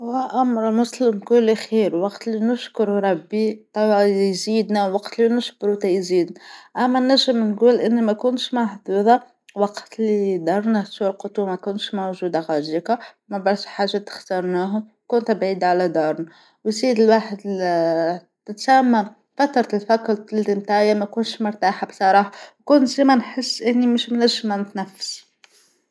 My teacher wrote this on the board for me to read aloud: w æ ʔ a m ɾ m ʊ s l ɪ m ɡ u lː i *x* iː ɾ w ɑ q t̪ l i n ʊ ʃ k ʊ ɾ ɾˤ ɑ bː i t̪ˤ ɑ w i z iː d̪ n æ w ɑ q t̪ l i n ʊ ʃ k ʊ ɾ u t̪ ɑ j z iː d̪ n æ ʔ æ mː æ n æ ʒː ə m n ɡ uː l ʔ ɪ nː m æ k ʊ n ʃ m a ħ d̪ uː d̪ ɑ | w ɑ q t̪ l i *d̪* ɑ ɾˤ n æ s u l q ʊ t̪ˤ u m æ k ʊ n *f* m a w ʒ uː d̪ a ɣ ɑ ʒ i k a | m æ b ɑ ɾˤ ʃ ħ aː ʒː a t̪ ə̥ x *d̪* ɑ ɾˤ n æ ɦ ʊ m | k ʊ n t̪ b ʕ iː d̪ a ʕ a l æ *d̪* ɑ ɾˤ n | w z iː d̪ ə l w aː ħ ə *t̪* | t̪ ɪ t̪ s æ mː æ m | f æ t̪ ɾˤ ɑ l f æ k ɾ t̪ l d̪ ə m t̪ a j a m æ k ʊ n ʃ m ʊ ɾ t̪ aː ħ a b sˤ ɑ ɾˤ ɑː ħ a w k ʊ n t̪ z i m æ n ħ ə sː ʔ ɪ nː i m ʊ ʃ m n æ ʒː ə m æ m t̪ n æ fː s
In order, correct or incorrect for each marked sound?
correct, correct, incorrect, incorrect, correct, incorrect

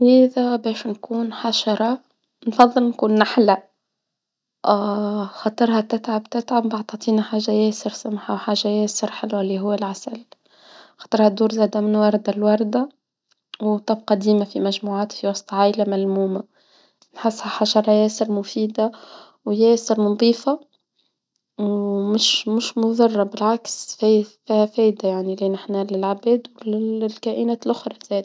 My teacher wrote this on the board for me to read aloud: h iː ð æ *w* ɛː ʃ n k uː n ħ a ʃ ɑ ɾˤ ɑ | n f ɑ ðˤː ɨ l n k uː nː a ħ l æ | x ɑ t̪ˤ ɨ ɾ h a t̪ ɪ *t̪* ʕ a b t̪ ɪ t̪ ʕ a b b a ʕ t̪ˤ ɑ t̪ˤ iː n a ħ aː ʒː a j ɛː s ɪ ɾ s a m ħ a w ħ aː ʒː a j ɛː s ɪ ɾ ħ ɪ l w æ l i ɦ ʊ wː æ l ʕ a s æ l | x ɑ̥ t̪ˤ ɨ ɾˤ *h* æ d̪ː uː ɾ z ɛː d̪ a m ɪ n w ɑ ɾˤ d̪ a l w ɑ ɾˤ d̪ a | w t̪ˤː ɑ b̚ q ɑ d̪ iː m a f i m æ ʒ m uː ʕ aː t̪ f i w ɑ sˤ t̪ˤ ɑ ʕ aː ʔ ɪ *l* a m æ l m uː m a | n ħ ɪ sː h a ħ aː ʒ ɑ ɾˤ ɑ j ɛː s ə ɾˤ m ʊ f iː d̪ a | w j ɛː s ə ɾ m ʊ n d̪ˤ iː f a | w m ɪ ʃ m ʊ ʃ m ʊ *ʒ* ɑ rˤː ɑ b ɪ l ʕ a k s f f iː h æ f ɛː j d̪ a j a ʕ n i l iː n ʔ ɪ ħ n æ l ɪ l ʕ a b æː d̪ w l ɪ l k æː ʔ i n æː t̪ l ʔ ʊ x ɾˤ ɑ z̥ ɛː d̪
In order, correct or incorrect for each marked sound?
incorrect, correct, correct, correct, incorrect

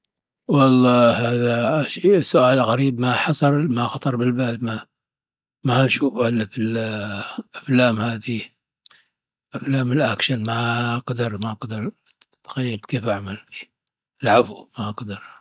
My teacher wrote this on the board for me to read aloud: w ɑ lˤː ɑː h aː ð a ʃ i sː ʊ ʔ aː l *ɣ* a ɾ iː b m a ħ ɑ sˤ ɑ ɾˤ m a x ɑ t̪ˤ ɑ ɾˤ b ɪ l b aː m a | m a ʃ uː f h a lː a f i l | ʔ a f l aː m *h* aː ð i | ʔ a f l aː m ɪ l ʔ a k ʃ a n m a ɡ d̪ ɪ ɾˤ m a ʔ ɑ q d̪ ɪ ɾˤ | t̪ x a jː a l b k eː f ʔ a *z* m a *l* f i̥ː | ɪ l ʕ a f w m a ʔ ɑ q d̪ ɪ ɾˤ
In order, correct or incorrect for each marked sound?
correct, correct, incorrect, correct

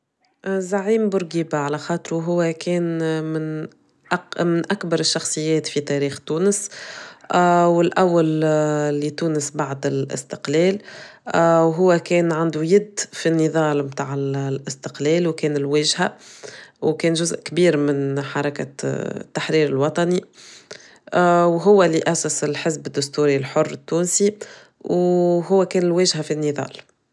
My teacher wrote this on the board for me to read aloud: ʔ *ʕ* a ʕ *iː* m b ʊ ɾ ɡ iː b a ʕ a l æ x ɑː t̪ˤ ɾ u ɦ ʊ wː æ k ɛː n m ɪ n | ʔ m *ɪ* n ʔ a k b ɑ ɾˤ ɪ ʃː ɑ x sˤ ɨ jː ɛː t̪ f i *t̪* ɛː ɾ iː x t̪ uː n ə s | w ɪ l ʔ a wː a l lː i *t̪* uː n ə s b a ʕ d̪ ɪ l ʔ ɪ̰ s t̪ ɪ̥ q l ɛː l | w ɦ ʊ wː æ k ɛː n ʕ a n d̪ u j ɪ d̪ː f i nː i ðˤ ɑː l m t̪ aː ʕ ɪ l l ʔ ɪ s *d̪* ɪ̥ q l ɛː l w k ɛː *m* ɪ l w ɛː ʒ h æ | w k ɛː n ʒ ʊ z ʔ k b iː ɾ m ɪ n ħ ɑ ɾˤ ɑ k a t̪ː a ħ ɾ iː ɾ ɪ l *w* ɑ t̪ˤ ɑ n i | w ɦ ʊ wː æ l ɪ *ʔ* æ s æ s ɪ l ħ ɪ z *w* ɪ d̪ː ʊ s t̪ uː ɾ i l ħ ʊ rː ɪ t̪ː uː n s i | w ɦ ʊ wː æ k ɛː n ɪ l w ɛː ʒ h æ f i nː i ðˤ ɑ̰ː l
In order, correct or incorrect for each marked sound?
incorrect, correct, correct, correct, correct, incorrect, incorrect, correct, correct, incorrect

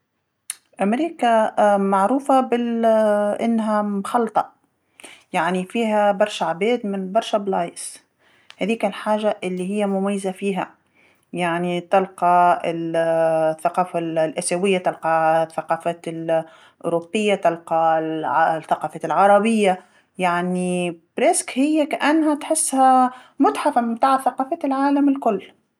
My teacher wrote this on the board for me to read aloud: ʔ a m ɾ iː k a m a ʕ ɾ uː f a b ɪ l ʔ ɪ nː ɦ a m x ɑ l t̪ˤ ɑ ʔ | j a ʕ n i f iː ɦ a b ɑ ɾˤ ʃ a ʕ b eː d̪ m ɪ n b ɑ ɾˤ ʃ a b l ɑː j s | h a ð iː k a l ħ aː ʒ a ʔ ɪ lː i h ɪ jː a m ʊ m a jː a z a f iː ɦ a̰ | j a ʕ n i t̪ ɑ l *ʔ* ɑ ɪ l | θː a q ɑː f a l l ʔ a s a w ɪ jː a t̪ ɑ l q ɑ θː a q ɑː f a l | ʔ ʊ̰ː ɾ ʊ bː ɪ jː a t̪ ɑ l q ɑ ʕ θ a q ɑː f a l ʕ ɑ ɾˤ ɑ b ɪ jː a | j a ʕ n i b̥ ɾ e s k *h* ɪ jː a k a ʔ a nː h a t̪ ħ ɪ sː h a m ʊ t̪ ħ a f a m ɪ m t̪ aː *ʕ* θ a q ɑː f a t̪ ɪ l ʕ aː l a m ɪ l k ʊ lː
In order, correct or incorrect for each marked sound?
incorrect, correct, correct

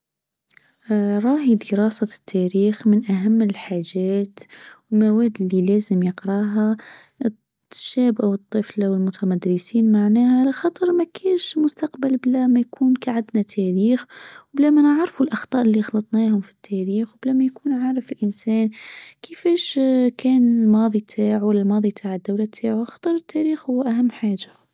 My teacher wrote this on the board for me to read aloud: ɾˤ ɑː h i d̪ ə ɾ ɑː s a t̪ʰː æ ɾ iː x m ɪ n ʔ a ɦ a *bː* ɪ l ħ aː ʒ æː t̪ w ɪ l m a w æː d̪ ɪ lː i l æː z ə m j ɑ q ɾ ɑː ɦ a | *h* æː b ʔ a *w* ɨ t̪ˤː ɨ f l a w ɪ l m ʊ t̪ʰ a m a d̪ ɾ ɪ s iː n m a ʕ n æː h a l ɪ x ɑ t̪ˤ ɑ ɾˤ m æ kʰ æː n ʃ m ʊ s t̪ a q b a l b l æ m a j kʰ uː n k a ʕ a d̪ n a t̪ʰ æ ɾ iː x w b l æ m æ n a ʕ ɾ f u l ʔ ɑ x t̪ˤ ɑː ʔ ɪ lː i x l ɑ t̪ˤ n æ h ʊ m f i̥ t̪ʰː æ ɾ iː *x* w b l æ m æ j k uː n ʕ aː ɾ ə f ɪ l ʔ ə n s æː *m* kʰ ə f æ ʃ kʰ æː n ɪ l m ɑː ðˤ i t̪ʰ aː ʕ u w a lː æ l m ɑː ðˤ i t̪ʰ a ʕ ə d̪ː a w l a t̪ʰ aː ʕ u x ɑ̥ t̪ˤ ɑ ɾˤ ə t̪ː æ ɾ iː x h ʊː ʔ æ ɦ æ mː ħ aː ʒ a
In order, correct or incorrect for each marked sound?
incorrect, incorrect, correct, correct, incorrect

